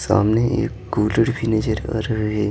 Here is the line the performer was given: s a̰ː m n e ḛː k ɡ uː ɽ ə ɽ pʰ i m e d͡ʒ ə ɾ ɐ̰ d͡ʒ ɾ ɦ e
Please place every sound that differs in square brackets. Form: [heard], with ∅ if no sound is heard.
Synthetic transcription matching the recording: s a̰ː m n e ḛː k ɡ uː [l] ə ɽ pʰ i [n] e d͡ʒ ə ɾ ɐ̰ [∅] ɾ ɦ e